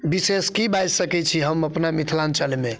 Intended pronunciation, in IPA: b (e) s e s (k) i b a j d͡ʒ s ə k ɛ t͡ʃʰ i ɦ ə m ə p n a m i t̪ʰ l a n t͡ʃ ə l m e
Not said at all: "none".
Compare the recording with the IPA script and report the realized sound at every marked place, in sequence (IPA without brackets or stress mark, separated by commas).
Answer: i, k